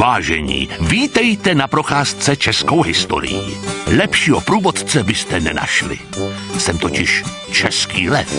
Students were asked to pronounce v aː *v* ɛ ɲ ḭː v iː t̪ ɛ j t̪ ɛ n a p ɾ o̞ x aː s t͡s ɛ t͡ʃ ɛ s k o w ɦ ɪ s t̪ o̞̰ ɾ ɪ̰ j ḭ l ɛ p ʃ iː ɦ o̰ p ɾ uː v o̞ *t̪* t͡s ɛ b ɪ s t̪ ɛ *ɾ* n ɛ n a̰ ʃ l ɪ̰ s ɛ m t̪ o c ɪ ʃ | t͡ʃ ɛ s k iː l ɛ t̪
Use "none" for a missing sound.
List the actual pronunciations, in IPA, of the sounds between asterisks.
ʒ, t̪, none

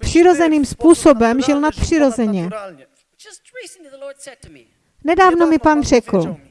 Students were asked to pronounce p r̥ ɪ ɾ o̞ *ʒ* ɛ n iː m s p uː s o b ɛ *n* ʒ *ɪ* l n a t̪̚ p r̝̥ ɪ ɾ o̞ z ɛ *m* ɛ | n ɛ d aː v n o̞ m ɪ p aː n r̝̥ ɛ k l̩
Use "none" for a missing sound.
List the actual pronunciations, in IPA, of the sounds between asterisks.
z, m, ɪ, ɲ

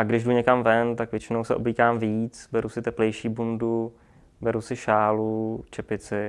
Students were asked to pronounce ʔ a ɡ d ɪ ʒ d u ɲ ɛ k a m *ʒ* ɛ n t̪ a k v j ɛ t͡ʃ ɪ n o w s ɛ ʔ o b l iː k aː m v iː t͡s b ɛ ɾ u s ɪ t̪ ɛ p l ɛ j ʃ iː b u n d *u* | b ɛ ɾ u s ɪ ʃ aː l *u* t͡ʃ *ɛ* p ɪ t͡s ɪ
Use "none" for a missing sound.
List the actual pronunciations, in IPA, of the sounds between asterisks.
v, u, u, ɛ

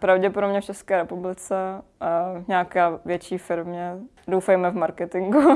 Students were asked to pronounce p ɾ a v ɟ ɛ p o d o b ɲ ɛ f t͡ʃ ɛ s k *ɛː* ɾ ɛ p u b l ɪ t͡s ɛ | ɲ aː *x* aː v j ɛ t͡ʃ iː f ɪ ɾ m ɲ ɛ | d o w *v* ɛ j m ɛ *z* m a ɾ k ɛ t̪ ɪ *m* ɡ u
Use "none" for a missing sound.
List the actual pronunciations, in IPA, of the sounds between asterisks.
ɛː, k, f, v, ŋ

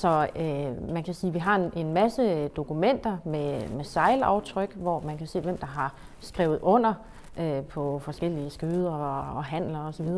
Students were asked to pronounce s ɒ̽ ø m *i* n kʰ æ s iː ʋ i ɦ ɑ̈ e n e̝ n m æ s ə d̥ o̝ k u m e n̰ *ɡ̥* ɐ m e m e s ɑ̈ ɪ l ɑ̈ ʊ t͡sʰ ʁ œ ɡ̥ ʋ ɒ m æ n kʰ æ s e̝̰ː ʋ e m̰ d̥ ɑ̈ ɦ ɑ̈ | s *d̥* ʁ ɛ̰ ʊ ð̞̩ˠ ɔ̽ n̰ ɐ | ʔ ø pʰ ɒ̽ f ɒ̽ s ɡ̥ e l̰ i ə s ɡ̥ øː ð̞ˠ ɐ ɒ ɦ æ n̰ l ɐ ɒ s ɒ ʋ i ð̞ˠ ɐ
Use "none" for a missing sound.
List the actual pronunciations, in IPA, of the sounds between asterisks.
æ, d̥, ɡ̥

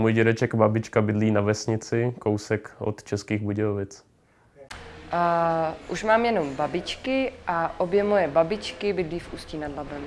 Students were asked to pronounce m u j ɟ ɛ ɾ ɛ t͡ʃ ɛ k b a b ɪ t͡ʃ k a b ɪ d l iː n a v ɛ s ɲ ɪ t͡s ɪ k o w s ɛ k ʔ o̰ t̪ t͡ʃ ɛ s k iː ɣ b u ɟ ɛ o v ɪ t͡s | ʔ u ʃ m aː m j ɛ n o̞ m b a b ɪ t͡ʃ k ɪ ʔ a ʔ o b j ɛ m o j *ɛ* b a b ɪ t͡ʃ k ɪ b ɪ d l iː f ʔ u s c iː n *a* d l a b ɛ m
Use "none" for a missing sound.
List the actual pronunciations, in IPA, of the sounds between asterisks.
ɛ, a

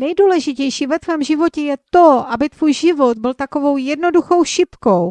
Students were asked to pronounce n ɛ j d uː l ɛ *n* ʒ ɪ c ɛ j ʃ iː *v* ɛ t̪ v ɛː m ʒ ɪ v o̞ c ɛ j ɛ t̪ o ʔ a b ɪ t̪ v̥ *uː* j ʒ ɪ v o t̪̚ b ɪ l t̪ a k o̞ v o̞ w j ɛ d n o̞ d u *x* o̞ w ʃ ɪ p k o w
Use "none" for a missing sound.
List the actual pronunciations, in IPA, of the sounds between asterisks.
none, v, uː, x

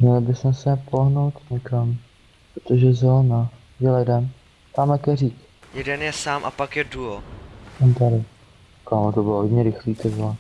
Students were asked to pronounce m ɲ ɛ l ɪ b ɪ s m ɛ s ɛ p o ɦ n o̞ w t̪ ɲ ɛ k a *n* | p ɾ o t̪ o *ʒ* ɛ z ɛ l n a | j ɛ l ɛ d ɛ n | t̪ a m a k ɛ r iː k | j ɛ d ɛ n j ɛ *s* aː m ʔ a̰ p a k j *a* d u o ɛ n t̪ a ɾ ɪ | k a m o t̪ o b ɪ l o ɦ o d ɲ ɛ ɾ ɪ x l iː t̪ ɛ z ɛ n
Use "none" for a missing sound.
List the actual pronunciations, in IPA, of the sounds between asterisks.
m, ʒ, s, ɛ

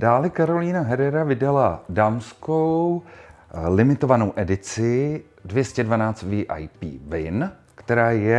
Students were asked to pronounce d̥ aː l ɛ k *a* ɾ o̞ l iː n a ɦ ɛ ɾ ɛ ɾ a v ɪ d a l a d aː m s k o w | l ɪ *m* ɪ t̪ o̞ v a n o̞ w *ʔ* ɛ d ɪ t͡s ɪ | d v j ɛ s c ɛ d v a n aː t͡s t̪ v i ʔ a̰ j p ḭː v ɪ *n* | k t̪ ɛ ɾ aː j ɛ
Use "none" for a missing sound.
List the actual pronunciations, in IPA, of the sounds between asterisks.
a, m, ʔ, n

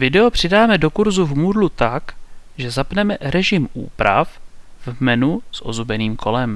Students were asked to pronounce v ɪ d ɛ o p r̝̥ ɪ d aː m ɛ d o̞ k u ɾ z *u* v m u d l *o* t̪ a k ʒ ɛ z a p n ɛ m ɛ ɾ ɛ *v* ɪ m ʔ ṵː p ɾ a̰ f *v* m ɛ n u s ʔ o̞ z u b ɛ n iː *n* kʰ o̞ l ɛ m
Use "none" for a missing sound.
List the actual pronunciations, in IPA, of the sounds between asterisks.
u, u, ʒ, v, m

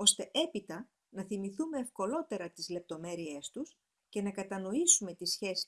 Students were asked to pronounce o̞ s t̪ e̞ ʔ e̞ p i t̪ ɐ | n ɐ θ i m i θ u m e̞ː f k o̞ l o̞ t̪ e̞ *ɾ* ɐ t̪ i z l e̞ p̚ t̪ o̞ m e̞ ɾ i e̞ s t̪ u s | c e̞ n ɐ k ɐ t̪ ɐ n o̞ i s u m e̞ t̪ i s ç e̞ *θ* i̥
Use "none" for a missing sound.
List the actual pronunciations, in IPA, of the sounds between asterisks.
ɾ, s

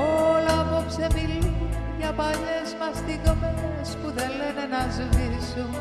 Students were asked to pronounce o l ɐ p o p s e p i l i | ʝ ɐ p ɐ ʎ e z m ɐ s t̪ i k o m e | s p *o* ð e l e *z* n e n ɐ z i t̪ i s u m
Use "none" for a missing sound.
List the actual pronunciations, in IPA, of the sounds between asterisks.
u, none

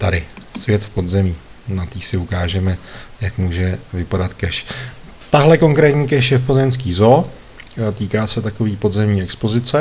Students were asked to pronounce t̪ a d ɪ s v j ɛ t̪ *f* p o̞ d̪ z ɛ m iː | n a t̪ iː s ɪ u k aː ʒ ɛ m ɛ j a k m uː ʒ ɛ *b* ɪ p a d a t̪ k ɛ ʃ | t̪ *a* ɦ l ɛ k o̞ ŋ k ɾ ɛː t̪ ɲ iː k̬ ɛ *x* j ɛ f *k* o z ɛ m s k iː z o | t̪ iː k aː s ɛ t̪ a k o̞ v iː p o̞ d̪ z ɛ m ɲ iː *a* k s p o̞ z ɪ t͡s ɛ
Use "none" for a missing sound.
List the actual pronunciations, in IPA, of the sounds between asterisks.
f, v, a, ʃ, p, ɛ

